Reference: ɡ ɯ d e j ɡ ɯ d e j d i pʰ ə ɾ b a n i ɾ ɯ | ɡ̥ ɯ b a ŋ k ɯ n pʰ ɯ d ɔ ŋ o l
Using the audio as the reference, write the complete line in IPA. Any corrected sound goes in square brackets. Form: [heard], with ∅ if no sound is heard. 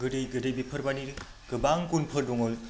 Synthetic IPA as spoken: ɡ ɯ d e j ɡ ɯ d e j [b] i pʰ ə ɾ b a n i ɾ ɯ | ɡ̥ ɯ b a ŋ k [u] n pʰ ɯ d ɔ ŋ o l